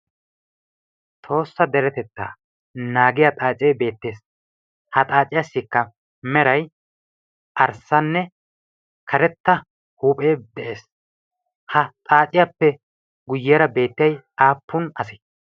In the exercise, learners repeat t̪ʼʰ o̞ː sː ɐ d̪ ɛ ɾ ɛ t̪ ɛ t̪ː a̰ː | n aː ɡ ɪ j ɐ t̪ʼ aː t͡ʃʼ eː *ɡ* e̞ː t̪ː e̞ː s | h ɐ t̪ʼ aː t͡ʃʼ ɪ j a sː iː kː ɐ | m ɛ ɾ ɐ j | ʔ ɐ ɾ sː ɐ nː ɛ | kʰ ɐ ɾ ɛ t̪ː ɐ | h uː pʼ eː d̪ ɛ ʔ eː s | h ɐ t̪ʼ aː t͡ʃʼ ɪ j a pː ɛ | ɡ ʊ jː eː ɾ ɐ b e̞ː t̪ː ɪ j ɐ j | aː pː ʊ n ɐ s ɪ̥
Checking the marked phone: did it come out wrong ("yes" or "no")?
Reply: yes